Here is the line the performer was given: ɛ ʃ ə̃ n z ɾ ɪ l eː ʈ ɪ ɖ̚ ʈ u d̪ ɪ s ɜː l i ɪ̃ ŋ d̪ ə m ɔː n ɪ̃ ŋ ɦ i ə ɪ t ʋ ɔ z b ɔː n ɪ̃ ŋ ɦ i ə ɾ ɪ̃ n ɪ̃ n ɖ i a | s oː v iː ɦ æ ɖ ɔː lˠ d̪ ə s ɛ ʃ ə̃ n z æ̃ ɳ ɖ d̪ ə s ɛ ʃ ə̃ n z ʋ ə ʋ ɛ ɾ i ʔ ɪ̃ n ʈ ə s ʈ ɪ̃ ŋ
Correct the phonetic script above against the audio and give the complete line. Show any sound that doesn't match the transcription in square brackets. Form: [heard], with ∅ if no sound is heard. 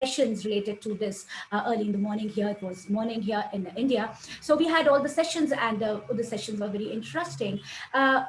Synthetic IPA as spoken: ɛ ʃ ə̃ n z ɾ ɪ l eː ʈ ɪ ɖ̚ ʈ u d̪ ɪ s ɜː l i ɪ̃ [n] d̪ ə m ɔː n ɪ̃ ŋ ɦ i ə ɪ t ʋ ɔ z [m] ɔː n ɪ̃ ŋ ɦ i ə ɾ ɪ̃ n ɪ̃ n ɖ i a | s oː [ʋ] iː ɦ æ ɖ ɔː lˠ d̪ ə s ɛ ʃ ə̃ n z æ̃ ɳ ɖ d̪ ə s ɛ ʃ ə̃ n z ʋ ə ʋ ɛ ɾ i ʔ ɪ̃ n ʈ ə s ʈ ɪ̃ ŋ